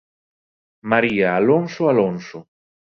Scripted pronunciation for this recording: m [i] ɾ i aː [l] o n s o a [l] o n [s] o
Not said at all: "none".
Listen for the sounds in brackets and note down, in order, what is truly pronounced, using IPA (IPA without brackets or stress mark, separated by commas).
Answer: a, l, l, s